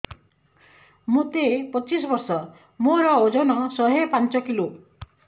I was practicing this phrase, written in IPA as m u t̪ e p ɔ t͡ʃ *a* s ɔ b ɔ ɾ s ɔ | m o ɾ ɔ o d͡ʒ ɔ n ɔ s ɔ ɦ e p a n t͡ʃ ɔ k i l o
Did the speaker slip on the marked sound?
yes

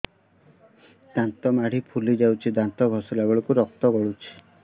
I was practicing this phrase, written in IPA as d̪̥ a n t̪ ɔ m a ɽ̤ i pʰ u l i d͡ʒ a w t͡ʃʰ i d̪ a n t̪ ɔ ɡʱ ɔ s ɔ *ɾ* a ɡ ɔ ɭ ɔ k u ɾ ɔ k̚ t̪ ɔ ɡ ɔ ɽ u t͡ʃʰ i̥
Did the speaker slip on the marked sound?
yes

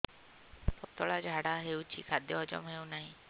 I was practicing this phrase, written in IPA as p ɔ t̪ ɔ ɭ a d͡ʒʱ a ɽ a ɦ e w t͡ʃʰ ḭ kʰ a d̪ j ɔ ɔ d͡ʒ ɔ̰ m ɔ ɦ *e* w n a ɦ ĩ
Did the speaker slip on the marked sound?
no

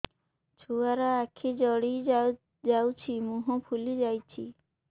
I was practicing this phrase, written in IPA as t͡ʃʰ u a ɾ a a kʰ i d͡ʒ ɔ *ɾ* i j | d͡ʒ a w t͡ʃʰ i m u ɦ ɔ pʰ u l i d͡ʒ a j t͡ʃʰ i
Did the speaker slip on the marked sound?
yes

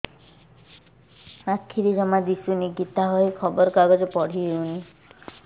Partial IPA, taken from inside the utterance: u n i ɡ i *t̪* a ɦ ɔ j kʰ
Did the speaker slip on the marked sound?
no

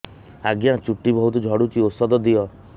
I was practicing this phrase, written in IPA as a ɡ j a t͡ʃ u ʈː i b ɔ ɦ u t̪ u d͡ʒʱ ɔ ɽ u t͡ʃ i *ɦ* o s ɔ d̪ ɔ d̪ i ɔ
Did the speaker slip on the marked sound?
yes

